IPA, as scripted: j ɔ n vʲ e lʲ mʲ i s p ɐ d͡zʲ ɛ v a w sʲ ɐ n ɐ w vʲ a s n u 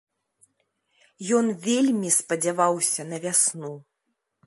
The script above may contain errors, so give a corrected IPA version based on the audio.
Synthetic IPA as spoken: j ɔ n vʲ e lʲ mʲ i s p ɐ d͡zʲ a v a w sʲ ɐ n ɐ vʲ a s n u